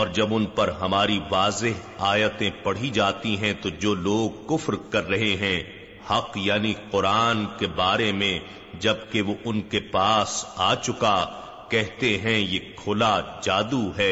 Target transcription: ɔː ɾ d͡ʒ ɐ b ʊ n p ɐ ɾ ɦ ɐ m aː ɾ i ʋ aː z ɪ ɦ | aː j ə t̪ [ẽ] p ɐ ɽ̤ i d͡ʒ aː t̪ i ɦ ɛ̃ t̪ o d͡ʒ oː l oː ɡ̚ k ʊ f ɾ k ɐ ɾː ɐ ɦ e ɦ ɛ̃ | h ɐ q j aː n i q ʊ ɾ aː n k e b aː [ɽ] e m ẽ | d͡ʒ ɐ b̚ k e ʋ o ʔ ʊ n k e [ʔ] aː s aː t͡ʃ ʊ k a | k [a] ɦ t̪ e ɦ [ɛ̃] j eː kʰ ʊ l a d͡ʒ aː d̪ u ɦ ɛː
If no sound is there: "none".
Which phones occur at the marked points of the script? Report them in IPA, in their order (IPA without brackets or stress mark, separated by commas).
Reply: ẽ, ɾ, p, ɛ, ɛ̃